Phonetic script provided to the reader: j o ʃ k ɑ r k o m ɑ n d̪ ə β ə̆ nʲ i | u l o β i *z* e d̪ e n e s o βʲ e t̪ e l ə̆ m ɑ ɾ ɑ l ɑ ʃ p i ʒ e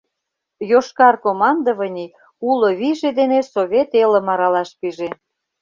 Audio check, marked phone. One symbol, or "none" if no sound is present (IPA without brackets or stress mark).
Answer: ʒ